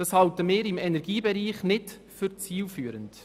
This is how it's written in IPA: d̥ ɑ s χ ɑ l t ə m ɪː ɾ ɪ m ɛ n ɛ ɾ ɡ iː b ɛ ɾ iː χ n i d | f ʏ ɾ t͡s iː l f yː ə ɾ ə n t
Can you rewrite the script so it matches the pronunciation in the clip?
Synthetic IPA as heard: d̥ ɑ s h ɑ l t ə m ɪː ɾ ɪ m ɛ n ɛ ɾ ɡ iː b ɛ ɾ iː χ n ɪ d | f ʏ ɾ t͡s iː l f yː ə ɾ ə n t